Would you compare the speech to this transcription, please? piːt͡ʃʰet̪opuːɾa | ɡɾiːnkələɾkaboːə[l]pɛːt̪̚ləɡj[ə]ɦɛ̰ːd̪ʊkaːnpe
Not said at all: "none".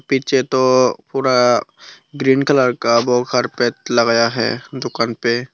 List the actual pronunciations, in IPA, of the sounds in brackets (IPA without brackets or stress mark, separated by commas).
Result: ɾ, a